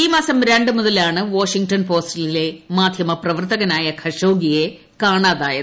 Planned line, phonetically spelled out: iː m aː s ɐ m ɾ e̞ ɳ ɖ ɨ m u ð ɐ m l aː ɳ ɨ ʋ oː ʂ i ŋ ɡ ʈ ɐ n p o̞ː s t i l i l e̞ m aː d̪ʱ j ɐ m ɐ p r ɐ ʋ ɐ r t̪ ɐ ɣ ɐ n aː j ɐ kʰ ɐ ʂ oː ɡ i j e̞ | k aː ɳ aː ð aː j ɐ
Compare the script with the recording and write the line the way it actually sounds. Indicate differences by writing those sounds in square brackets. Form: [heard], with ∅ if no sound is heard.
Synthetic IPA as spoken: iː m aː s ɐ m ɾ e̞ ɳ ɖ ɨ m u ð ɐ [∅] l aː ɳ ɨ ʋ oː ʂ i ŋ ɡ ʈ ɐ n p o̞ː s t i l i l e̞ m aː d̪ʱ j ɐ m ɐ p r ɐ ʋ ɐ r t̪ ɐ ɣ ɐ n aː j ɐ kʰ ɐ ʂ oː ɡ i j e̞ | k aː ɳ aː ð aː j ɐ

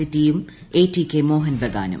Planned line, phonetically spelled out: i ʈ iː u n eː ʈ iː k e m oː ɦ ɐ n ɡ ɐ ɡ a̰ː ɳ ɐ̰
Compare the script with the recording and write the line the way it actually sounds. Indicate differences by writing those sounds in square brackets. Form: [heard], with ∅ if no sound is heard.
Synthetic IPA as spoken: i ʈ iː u [m] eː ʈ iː k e m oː ɦ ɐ n [b] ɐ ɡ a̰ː [n] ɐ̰

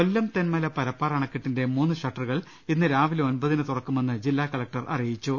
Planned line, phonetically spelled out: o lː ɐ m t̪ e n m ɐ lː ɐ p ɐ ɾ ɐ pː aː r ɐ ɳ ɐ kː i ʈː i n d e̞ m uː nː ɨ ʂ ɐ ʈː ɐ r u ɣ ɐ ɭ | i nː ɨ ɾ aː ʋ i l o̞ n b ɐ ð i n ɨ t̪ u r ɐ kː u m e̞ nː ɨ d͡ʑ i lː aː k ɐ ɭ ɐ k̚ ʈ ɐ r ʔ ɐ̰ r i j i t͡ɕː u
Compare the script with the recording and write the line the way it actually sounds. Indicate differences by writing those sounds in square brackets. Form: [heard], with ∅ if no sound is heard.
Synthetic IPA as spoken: o lː ɐ m t̪ e n m ɐ [l] ɐ p ɐ ɾ ɐ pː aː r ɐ ɳ ɐ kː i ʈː i n d e̞ m uː nː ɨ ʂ ɐ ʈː ɐ r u ɣ ɐ ɭ | i nː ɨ ɾ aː ʋ i l o̞ n b ɐ ð i n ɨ t̪ u r ɐ kː u m e̞ nː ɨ d͡ʑ i lː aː k ɐ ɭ ɐ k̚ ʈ ɐ r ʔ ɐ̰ r i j i t͡ɕː u

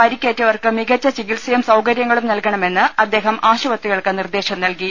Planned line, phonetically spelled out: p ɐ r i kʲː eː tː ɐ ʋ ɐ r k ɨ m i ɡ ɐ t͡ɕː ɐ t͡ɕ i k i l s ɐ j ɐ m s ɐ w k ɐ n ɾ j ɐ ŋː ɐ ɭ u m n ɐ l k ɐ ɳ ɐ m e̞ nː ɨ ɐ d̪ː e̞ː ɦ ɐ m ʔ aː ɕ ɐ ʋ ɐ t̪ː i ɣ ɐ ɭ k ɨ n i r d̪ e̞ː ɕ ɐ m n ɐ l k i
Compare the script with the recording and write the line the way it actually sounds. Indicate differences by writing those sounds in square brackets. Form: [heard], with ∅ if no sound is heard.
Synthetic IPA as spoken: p ɐ [ɾ] i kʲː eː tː ɐ ʋ ɐ r k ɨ m i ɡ ɐ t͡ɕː ɐ t͡ɕ i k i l s ɐ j ɐ m s ɐ w k ɐ [∅] ɾ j ɐ ŋː ɐ ɭ u m n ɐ l k ɐ ɳ ɐ m e̞ nː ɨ ɐ d̪ː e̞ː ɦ ɐ m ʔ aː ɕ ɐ ʋ ɐ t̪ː i ɣ ɐ ɭ k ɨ n i r d̪ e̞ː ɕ ɐ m n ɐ l k i

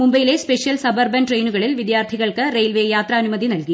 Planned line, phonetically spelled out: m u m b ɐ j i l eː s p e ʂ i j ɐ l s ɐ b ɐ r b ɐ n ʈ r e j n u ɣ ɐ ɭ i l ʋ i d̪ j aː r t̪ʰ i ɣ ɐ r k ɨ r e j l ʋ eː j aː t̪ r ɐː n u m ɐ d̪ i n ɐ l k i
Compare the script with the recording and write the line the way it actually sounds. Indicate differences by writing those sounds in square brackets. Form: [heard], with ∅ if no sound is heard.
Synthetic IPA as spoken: m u m b ɐ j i l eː s p e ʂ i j ɐ l s ɐ b ɐ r b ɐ n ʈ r e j n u ɣ ɐ ɭ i l ʋ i d̪ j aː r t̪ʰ i ɣ ɐ [ɭ] k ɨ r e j l ʋ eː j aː t̪ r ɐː n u m ɐ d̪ i n ɐ l k i

